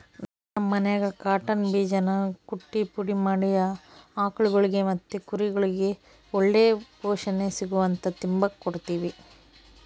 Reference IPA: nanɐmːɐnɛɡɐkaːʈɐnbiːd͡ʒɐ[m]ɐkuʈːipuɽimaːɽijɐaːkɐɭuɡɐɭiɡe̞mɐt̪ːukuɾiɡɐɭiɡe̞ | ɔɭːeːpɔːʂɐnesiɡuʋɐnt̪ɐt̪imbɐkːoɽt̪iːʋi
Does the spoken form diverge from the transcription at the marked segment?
yes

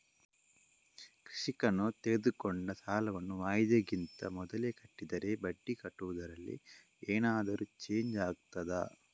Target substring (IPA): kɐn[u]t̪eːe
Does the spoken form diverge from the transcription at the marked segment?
no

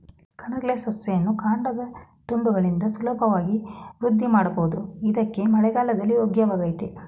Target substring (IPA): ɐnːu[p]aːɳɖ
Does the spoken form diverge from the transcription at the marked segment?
yes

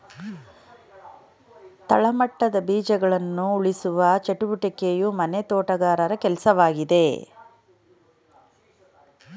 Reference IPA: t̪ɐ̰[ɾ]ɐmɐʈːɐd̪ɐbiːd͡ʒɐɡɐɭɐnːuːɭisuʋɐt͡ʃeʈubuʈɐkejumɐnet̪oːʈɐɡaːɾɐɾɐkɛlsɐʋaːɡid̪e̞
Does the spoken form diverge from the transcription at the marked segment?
yes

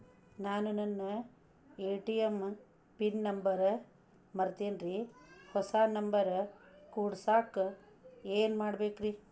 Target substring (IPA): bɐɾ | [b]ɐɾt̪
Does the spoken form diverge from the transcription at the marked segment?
yes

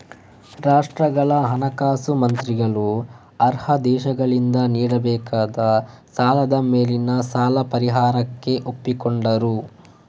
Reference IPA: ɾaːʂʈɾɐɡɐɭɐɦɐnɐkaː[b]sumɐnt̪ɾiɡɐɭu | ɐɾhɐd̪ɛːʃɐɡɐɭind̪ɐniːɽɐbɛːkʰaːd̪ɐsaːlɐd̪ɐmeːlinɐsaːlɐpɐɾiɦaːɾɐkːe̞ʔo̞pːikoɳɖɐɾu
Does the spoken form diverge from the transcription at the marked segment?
yes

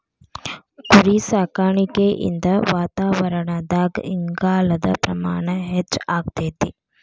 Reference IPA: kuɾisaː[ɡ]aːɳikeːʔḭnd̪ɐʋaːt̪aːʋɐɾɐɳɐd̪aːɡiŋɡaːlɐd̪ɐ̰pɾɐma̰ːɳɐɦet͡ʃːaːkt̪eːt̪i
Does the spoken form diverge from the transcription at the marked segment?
yes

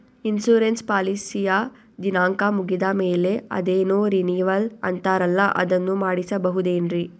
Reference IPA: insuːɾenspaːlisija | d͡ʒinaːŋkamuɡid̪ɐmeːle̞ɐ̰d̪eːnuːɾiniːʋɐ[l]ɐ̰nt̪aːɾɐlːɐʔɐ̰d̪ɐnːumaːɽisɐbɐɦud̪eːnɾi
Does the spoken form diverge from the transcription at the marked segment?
no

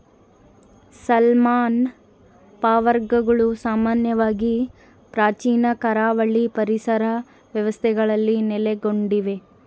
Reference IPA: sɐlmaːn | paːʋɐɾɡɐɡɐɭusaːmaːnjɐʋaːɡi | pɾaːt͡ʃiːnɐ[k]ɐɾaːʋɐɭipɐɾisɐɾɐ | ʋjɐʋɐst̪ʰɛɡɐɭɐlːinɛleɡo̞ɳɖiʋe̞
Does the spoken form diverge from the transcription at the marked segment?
no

